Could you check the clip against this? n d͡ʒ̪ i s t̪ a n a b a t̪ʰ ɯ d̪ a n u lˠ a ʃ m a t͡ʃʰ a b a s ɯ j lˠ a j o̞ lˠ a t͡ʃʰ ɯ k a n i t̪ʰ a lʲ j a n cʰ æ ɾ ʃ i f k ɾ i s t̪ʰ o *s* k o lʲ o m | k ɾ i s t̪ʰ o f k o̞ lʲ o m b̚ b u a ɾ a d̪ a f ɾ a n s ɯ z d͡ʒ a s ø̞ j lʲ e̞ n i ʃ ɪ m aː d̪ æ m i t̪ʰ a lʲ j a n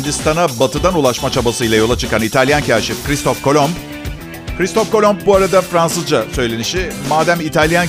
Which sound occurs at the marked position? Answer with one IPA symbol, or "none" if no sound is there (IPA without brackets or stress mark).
f